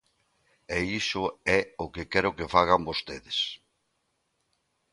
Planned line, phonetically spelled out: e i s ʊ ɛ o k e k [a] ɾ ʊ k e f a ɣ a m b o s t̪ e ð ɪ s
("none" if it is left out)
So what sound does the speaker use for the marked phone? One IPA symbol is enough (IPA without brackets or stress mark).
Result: ɛ